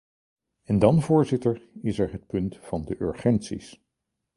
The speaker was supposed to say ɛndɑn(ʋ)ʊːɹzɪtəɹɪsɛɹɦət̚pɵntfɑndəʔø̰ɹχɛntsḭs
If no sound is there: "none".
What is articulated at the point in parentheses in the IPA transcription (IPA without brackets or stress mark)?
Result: v